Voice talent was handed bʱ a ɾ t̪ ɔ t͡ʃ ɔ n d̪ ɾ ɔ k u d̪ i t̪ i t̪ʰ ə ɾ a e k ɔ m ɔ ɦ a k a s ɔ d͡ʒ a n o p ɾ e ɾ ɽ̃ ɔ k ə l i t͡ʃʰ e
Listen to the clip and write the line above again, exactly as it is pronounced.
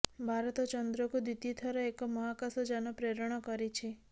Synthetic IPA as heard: bʱ a ɾ t̪ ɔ t͡ʃ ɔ n d̪ ɾ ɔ k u d̪ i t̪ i t̪ʰ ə ɾ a e k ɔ m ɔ ɦ a k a s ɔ d͡ʒ a n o p ɾ e ɾ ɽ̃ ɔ k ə ɾ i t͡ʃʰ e